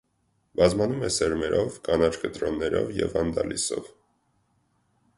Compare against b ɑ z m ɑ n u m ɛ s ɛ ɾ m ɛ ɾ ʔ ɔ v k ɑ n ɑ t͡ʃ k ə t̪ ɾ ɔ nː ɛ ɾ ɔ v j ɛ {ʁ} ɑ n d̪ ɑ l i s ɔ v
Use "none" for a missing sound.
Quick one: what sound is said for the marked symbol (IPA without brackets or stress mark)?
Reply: v